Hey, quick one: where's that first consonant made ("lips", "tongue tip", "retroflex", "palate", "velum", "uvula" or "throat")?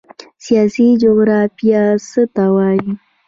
tongue tip